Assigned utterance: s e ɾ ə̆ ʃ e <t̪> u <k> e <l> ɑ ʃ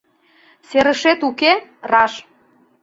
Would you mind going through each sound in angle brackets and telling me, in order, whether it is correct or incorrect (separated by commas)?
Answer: correct, correct, incorrect